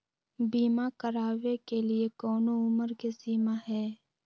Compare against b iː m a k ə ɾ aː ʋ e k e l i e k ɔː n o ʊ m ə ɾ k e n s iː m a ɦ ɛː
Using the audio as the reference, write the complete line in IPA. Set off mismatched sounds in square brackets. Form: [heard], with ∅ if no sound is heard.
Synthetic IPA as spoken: b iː m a k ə ɾ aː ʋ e k e l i e k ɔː n o ʊ m ə ɾ k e [∅] s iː m a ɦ ɛː